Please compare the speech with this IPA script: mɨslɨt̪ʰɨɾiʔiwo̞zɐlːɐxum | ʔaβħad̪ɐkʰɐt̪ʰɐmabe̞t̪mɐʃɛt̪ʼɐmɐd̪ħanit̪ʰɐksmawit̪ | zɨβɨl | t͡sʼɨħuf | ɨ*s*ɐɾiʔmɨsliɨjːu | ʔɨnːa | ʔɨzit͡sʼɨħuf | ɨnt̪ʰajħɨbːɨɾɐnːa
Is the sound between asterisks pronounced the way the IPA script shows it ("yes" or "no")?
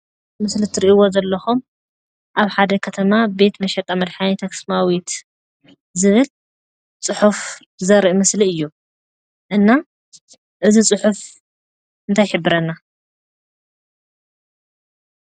no